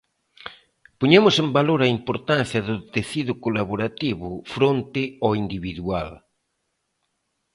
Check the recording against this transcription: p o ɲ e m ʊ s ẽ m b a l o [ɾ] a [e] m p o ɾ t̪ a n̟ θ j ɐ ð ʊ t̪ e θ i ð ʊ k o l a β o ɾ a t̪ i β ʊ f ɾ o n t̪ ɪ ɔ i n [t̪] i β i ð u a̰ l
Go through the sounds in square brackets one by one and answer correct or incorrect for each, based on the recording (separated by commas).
correct, incorrect, incorrect